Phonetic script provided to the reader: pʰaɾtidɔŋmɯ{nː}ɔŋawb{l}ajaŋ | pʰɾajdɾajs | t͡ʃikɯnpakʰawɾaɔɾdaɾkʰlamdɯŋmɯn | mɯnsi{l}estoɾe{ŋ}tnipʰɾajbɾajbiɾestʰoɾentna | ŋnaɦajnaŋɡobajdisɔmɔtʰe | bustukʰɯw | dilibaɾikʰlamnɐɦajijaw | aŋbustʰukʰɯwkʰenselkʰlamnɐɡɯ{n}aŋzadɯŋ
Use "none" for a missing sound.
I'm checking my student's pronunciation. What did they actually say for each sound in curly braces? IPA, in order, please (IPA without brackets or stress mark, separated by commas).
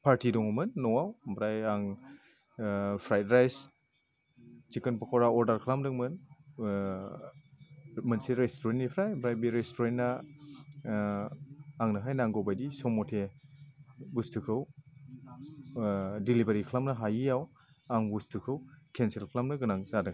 nː, ɾ, ɾ, n, n